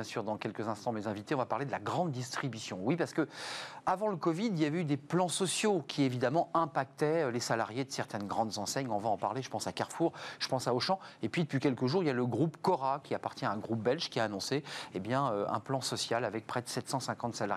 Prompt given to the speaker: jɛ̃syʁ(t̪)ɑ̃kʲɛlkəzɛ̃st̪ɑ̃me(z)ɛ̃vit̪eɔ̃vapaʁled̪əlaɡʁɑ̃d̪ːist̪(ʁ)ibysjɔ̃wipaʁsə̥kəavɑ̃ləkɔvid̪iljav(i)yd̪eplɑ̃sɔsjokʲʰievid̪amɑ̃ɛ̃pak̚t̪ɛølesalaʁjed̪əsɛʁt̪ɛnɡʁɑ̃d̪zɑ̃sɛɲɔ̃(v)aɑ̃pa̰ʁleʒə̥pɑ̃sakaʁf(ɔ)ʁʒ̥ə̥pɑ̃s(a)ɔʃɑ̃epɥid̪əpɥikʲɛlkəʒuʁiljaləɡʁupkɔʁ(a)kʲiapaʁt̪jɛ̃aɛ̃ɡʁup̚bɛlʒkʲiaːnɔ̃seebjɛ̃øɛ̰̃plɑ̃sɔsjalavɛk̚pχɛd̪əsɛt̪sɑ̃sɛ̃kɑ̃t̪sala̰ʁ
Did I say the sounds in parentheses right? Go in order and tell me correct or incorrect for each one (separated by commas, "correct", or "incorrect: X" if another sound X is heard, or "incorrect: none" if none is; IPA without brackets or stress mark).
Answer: incorrect: d̪, correct, incorrect: χ, incorrect: ɛ, correct, incorrect: u, correct, correct